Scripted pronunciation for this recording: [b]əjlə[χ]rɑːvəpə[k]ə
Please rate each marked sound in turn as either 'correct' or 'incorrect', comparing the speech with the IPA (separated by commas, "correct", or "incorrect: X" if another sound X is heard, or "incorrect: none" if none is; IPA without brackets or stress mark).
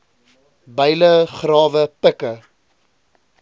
correct, correct, correct